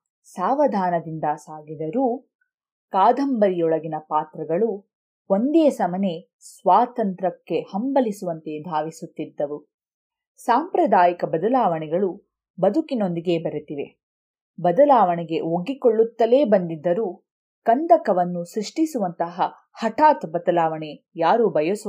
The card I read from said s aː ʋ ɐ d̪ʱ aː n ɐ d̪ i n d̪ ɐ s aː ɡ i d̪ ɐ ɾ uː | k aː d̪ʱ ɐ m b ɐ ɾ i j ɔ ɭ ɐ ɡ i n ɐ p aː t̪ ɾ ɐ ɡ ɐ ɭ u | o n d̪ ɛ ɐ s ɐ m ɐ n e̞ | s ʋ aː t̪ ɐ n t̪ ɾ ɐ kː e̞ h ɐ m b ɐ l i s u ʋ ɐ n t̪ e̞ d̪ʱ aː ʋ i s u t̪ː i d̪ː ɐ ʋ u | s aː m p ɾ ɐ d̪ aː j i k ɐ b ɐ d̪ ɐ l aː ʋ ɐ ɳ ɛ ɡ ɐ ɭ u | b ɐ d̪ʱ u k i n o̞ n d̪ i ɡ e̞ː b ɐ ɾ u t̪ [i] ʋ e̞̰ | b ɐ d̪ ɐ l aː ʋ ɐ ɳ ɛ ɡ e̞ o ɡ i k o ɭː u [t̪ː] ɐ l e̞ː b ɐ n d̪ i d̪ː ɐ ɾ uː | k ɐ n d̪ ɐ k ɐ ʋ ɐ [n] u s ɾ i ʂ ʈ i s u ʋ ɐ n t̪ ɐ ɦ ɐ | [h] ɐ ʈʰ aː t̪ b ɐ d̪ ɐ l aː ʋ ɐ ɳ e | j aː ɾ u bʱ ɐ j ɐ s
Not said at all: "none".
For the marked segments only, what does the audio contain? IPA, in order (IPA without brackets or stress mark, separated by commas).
i, t̪ː, nː, h